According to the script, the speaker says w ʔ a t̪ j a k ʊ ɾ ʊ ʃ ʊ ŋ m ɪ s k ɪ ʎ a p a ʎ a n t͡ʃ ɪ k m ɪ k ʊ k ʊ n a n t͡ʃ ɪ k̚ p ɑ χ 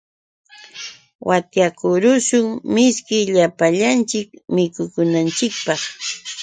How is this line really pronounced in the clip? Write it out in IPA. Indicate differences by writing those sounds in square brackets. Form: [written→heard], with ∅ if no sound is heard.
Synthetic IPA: w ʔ a t̪ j a k ʊ ɾ ʊ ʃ ʊ ŋ m ɪ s k ɪ ʎ a p a ʎ a n t͡ʃ ɪ k m ɪ k ʊ k ʊ n a n t͡ʃ ɪ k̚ p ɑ χ